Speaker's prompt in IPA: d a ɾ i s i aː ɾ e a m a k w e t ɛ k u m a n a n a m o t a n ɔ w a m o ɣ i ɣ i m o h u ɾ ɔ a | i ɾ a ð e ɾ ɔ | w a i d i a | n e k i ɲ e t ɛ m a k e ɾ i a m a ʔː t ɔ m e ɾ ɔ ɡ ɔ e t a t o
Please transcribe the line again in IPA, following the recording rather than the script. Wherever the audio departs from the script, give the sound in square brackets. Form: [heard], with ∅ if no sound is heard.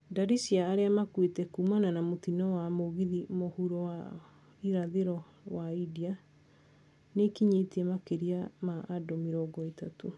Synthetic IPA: d a ɾ i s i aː ɾ e a m a k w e t ɛ k u m a n a n a m o t [i] n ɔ w a m o ɣ i [ð] i m o h u ɾ ɔ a | i ɾ a ð e ɾ ɔ | w a i d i a | n e k i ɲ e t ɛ m a k e ɾ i a m a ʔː [d] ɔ m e ɾ ɔ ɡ ɔ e t a t o